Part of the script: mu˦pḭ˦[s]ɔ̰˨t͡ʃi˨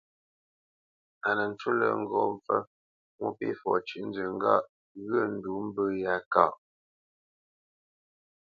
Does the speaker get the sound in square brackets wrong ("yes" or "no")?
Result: yes